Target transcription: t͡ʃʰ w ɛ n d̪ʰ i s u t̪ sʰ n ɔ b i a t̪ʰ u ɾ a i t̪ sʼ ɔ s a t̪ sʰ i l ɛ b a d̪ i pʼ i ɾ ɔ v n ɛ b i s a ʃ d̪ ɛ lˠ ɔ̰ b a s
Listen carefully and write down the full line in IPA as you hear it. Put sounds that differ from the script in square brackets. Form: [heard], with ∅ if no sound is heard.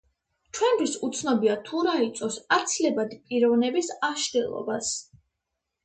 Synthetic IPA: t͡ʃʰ w ɛ n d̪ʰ i s u t̪ sʰ n ɔ b i a t̪ʰ u ɾ a i t̪ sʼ ɔ s a t̪ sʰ i l ɛ b a d̪ i pʼ i ɾ ɔ v n ɛ b i s a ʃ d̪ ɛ lˠ ɔ̰ b a s